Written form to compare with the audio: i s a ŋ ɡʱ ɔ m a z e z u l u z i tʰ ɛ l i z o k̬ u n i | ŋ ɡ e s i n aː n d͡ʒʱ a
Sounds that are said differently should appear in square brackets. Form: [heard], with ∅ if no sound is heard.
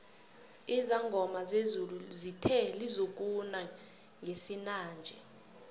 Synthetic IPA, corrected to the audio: i [z] a ŋ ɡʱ ɔ m a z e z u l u z i tʰ ɛ l i z o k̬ u n [a] | ŋ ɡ e s i n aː n d͡ʒʱ [ɛ]